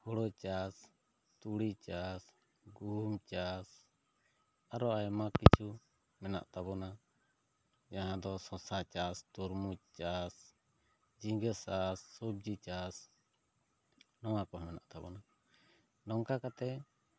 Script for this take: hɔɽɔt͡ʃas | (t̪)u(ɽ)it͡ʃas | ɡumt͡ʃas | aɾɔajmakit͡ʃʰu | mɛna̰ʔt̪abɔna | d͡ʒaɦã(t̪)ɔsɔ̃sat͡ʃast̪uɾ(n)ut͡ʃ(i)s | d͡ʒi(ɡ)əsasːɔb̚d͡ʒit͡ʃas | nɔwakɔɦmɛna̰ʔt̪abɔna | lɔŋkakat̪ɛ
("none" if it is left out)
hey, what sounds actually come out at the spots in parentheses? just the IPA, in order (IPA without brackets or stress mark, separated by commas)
t̪, ɽ, d̪, m, a, ɡ